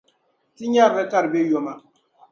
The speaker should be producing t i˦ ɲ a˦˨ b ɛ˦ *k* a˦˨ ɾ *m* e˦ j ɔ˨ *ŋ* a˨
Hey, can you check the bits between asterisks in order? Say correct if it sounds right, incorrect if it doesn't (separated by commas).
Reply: correct, incorrect, incorrect